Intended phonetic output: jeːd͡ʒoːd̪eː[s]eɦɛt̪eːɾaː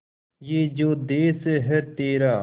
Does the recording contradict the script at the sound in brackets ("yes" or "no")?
no